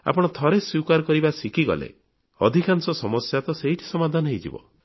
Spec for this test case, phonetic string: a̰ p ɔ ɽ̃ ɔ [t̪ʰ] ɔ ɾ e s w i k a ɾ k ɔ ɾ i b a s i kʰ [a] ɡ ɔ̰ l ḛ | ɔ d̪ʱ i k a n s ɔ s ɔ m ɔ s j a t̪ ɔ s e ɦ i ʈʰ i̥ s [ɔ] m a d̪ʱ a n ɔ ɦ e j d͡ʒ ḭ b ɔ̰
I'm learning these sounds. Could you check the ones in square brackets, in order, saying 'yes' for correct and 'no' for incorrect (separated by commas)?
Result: yes, no, yes